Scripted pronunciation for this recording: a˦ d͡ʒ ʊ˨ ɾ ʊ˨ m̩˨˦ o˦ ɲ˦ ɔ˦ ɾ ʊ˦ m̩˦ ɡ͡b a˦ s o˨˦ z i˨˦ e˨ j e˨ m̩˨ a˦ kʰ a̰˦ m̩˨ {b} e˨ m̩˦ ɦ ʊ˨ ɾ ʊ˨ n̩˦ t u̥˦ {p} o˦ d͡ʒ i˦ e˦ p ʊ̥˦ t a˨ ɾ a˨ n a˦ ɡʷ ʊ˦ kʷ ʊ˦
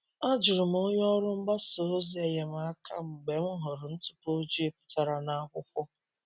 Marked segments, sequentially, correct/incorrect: incorrect: ɡ͡b, correct

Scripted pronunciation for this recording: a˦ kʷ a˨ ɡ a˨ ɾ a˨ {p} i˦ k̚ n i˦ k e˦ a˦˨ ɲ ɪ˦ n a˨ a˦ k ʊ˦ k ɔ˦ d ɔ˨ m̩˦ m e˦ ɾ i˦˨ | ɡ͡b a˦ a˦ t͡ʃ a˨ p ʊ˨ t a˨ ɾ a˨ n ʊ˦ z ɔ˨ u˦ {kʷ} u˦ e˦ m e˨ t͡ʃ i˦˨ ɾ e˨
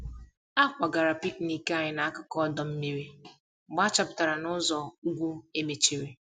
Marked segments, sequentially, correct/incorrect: correct, incorrect: ɡʷ

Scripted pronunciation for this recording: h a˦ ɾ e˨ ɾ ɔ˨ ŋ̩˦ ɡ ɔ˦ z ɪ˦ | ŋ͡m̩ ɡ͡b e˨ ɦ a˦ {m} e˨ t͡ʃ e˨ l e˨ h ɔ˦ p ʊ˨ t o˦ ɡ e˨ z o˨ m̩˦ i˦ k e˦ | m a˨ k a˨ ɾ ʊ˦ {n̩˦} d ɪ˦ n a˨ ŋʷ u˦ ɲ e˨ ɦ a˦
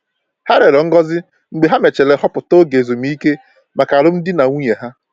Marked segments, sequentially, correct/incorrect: correct, incorrect: m̩˦

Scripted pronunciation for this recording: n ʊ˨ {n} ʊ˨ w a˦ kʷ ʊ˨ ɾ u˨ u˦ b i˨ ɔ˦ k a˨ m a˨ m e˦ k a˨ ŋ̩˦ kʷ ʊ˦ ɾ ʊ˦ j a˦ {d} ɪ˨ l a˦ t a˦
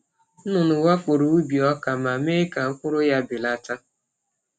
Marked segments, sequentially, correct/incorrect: correct, incorrect: b

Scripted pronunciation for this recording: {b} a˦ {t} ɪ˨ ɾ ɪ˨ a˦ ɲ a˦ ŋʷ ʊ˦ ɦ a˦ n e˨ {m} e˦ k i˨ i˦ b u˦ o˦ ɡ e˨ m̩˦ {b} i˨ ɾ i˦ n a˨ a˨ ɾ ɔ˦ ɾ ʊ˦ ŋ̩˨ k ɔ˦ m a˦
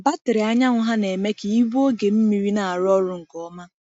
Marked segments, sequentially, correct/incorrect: correct, correct, correct, incorrect: m

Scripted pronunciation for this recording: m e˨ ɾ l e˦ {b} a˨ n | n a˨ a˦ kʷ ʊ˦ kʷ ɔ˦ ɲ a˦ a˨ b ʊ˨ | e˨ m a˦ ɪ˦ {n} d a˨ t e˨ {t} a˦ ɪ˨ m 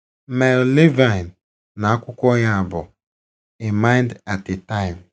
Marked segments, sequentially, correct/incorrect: incorrect: v, correct, correct

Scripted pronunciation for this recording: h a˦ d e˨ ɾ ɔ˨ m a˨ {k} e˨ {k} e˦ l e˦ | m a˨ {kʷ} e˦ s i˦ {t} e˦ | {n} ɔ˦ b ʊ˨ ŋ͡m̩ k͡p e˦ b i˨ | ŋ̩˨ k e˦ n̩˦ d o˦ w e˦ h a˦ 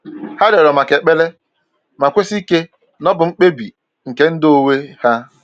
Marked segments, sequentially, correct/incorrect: correct, incorrect: k͡p, correct, incorrect: k, correct

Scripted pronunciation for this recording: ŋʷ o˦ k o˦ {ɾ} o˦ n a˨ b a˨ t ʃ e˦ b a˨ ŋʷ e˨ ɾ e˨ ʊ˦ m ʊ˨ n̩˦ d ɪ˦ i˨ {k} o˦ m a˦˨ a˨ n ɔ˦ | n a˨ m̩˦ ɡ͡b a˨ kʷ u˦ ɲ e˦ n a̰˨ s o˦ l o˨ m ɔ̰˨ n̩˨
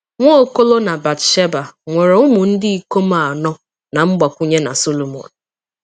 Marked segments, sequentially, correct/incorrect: incorrect: l, correct

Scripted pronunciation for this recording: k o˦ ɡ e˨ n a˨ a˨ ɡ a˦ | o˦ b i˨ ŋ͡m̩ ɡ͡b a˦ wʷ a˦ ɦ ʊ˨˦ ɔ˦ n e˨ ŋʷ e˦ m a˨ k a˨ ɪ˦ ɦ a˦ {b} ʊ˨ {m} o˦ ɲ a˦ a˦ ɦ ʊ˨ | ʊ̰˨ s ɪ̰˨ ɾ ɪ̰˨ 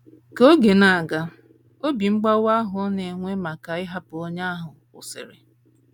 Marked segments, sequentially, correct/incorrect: incorrect: p, incorrect: none

